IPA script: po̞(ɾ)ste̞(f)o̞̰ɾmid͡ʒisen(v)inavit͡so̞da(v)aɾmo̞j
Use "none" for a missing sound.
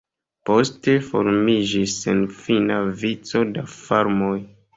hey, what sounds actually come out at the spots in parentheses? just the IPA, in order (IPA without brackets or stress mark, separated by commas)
none, f, f, f